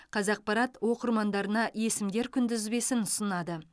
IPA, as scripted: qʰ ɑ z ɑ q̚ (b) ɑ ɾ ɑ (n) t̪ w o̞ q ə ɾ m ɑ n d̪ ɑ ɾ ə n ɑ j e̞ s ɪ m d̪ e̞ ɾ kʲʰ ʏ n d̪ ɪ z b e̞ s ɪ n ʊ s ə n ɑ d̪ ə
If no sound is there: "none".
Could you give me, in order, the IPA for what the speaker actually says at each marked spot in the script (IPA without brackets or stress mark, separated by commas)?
p, none